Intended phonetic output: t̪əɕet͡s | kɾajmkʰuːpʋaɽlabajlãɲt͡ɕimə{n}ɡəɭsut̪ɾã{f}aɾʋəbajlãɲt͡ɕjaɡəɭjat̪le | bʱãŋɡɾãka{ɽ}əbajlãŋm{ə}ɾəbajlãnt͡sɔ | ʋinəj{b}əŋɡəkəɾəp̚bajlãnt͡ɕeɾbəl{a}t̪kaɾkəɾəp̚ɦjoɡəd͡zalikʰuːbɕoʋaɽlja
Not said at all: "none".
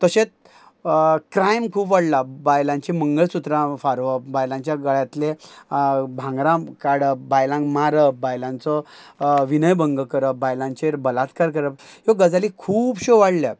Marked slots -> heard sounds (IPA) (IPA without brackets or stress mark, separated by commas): ŋ, f, ɽ, a, b, a